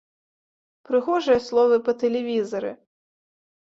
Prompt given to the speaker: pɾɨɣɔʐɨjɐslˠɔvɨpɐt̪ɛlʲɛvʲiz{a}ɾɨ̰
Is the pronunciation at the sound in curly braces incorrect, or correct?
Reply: incorrect: ɐ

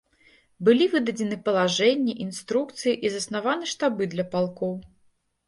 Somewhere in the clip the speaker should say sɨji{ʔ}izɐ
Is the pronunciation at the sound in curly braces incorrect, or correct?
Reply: correct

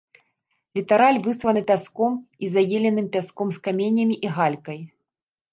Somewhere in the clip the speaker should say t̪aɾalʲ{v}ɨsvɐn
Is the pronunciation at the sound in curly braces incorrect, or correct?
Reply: correct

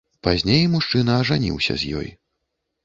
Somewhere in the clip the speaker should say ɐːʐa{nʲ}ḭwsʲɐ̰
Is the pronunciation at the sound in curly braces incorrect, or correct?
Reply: correct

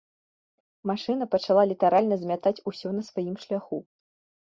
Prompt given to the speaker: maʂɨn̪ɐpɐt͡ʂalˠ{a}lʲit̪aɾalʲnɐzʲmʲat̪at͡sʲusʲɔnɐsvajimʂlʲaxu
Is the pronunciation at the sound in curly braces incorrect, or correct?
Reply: correct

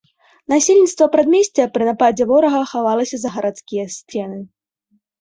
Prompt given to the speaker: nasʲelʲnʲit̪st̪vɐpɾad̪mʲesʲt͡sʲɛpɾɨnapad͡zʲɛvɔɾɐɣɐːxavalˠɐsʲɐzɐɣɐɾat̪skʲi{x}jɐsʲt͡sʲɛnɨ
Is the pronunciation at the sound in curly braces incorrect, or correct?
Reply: incorrect: none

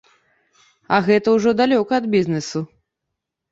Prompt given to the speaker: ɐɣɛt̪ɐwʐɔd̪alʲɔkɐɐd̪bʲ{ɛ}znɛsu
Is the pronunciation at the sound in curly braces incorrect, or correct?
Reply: incorrect: i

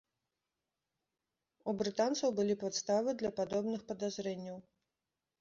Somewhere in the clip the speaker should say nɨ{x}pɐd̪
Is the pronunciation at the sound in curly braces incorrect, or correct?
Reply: correct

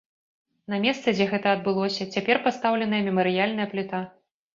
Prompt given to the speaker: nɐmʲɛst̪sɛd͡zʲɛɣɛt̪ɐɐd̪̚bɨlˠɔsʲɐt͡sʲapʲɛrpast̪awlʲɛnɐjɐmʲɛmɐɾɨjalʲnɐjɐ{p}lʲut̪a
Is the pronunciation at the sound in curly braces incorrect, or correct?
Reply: correct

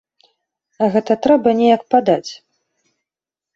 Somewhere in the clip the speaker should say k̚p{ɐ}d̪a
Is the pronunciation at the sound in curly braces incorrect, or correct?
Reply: incorrect: a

